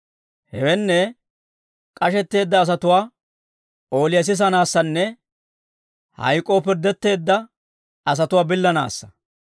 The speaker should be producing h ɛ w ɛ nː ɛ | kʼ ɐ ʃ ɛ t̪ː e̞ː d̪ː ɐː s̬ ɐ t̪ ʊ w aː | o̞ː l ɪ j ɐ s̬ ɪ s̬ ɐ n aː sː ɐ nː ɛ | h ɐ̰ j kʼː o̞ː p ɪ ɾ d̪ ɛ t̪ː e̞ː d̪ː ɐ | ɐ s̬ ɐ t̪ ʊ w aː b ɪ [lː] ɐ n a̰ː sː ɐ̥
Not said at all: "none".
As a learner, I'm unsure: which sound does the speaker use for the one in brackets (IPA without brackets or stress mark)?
lː